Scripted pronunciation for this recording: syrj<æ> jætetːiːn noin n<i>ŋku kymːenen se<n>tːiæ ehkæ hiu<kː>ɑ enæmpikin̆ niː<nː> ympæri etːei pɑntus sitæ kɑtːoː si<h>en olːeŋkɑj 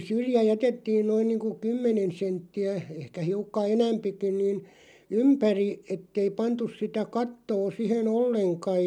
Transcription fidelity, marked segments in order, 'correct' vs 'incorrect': correct, incorrect: iː, correct, correct, incorrect: n, correct

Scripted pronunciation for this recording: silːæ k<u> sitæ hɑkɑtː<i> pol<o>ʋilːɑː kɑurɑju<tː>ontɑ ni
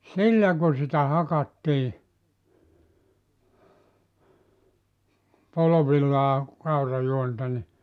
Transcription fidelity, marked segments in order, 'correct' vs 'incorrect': correct, incorrect: iː, correct, incorrect: none

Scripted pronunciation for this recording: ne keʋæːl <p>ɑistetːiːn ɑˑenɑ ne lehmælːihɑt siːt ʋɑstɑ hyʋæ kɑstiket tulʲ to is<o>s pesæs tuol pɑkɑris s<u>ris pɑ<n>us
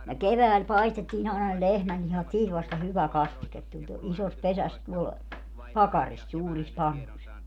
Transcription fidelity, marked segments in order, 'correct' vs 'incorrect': correct, correct, incorrect: uː, incorrect: nː

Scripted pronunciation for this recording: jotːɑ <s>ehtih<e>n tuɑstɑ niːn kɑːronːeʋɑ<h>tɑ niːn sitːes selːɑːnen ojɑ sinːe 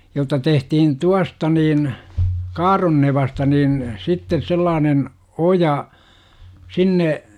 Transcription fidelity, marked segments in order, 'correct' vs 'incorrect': incorrect: t, incorrect: i, incorrect: s

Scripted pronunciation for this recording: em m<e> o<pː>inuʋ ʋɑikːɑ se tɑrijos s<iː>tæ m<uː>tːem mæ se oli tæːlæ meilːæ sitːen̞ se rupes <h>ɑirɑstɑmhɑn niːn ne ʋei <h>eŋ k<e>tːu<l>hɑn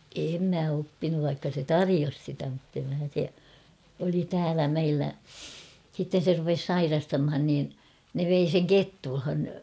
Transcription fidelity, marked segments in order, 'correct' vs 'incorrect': incorrect: æ, correct, incorrect: i, incorrect: u, incorrect: s, incorrect: s, correct, correct

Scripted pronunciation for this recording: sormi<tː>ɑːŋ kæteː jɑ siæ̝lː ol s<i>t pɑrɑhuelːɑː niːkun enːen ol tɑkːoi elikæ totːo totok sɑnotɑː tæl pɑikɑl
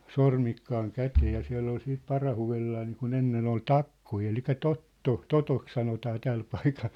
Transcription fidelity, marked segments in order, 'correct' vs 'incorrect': incorrect: kː, incorrect: iː

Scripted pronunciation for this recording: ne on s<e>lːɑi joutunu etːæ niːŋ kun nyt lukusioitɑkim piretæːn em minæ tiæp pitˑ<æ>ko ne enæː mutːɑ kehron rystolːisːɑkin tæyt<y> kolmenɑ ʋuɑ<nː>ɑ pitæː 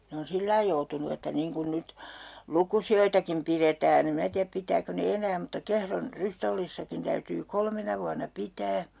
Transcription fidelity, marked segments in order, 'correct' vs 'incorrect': incorrect: i, incorrect: æː, incorrect: yː, correct

